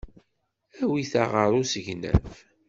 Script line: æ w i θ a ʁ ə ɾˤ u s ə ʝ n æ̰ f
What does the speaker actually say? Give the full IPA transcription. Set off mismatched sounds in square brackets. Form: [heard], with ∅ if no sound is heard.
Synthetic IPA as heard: æ w i θ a ʁ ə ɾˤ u s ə ʝ n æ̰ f

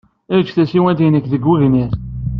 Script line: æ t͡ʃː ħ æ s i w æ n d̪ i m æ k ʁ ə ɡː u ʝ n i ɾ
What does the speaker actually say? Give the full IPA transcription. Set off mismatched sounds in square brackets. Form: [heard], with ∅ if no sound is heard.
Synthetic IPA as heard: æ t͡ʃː [θ] æ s i w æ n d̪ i [n] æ k [ð] ə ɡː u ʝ n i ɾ

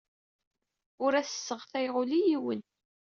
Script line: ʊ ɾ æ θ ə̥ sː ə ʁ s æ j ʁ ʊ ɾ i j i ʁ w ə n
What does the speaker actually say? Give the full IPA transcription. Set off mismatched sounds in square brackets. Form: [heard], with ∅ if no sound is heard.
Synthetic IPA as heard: ʊ ɾ æ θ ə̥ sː ə ʁ [θ] æ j ʁ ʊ [l] i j i [∅] w ə n

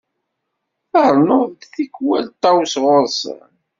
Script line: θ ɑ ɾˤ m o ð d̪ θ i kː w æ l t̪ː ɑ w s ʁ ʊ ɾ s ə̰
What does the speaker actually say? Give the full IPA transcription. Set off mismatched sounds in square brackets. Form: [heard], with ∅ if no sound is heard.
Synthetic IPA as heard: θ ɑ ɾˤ [n] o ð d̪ θ i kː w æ l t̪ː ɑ w s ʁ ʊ ɾ s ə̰

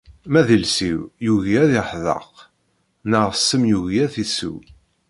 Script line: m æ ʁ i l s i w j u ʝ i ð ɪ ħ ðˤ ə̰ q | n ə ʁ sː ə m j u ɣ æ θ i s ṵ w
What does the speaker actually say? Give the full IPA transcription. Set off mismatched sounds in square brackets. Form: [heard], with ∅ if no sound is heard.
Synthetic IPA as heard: m æ [ð] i l s i w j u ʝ [æ] ð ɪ ħ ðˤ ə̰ q | n ə ʁ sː ə m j u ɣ æ θ i s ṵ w

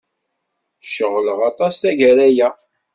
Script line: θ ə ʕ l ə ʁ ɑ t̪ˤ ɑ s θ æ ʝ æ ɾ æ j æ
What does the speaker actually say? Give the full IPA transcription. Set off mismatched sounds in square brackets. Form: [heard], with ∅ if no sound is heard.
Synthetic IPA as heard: [ʃ] ə [ʁ] l ə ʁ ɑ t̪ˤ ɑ s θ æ ʝ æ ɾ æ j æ

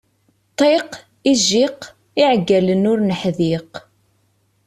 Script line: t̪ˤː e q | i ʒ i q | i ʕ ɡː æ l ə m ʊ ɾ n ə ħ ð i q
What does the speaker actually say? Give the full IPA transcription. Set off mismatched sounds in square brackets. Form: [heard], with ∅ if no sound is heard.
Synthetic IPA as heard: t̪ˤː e q | i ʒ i q | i ʕ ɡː æ l ə [n] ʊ ɾ n ə ħ ð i q

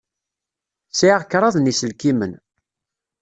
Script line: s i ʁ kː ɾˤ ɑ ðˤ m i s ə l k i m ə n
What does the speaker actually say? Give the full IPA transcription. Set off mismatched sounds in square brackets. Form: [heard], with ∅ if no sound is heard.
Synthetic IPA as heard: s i ʁ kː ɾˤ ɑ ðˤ [n] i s ə l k i m ə n

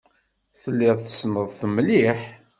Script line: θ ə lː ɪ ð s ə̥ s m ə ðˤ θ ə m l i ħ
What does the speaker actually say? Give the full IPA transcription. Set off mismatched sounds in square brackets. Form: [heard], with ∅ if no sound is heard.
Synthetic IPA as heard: θ ə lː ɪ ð [θ] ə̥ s [n] ə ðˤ θ ə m l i ħ

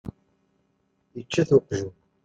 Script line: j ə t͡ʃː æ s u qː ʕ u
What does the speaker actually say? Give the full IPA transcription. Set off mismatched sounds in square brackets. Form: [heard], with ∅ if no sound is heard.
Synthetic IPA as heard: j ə t͡ʃː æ [θ] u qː [ʒ] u

